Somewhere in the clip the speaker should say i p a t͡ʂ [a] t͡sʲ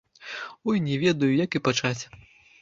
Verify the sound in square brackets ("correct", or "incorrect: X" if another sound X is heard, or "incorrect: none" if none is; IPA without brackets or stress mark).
correct